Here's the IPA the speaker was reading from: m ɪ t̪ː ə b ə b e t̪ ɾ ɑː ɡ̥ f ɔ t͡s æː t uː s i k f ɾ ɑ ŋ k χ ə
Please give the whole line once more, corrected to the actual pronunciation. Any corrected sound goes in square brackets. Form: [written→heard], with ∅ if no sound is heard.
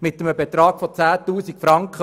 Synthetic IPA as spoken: m ɪ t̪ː ə [b→m] ə b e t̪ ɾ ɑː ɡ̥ f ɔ t͡s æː t uː s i k f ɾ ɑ ŋ k χ ə